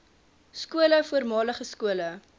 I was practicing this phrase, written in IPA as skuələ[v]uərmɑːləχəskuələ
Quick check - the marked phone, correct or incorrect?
incorrect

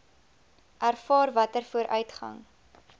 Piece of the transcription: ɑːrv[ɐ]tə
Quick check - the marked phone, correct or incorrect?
correct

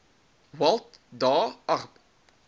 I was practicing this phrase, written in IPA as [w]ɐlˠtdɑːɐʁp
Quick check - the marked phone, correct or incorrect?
correct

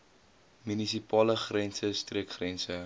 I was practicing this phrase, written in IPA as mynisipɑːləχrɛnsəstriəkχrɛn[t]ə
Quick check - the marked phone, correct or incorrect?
incorrect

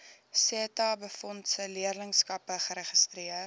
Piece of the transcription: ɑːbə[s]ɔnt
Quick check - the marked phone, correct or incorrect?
incorrect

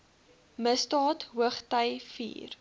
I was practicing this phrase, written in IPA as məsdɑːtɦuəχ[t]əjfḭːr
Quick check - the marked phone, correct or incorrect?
correct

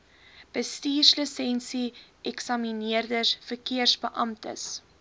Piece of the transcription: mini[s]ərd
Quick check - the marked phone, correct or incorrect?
incorrect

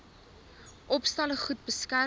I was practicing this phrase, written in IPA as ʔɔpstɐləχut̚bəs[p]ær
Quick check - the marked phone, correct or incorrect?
incorrect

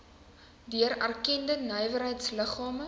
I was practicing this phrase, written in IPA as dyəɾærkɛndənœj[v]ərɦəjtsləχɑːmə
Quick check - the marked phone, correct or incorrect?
correct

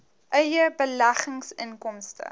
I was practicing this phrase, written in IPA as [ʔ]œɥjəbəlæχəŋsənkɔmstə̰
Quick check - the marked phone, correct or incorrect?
correct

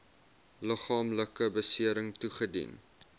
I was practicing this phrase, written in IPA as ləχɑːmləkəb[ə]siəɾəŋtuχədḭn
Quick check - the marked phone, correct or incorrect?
correct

